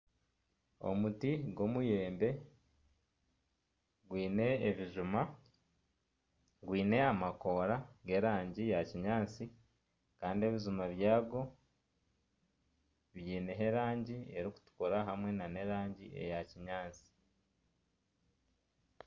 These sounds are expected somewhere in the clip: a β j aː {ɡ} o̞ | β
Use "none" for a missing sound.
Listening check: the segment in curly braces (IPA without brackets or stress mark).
ɡ